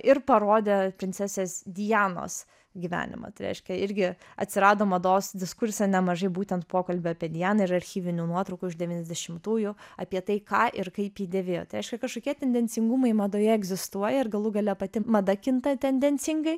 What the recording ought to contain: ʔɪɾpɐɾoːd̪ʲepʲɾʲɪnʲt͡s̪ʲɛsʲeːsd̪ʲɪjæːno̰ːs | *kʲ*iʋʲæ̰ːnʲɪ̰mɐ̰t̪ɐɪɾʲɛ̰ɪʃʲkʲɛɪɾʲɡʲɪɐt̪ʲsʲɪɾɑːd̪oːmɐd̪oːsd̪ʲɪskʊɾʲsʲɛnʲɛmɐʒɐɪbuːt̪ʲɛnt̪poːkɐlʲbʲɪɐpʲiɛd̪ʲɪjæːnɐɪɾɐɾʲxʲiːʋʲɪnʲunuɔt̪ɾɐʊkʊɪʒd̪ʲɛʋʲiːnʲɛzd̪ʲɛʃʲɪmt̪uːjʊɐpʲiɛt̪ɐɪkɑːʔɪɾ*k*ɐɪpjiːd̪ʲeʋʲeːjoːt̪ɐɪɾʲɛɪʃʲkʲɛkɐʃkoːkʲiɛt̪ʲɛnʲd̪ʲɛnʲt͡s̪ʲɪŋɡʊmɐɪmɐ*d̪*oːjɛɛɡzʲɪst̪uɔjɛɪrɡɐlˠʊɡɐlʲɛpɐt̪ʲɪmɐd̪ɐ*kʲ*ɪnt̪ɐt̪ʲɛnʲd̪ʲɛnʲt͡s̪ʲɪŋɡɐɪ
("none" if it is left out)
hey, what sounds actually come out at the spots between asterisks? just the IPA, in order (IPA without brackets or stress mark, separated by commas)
ɡʲ, k, d̪, kʲ